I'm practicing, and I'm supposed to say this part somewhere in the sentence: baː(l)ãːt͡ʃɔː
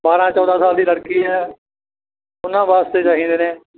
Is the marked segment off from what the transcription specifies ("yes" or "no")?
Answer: yes